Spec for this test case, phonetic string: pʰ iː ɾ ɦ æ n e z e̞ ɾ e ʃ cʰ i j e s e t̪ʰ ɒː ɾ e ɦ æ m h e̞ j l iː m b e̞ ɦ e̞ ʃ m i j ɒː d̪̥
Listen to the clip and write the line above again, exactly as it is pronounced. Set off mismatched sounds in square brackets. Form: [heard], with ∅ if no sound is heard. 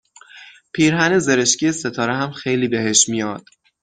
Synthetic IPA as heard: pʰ iː ɾ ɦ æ n e z e̞ ɾ e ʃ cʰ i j e s e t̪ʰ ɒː ɾ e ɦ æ m [x] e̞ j l iː [∅] b e̞ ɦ e̞ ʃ m i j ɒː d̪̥